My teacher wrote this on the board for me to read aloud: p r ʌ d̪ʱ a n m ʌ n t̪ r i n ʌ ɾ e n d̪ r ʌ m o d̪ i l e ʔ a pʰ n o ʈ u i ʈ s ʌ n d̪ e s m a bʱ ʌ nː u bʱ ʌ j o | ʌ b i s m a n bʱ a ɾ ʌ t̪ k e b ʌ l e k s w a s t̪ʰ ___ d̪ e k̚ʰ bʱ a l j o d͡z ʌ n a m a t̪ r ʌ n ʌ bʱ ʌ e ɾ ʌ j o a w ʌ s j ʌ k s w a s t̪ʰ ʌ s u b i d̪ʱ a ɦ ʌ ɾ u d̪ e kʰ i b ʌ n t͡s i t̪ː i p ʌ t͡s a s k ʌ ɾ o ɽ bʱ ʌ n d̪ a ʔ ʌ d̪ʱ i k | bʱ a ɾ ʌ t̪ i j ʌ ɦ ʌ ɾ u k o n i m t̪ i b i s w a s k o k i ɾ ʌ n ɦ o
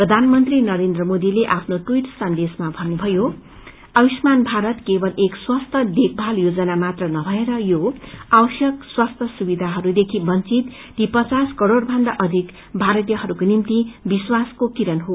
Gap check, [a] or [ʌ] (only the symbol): ʌ